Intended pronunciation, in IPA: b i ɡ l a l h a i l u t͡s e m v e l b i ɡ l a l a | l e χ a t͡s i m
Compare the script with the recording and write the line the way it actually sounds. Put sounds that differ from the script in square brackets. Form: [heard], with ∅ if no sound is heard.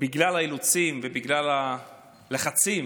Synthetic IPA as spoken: b i ɡ l a l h a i l u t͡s [i] m v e [∅] b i ɡ l a l a | l e χ a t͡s i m